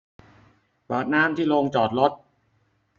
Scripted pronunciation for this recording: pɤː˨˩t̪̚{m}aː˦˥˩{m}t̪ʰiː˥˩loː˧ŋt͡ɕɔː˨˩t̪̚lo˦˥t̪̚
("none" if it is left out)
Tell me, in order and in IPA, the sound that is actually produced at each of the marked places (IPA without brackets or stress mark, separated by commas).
n, m